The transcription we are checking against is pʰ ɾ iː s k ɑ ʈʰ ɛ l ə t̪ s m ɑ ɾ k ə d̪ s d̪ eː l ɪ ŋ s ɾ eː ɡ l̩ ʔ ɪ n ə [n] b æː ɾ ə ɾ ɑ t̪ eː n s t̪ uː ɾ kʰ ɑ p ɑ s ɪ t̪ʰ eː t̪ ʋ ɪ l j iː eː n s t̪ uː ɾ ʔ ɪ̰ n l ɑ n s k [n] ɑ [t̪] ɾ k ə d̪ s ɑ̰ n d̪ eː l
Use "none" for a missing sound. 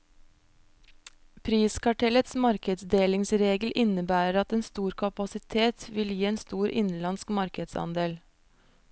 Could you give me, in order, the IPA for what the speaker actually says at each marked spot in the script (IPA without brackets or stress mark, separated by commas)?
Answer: none, m, none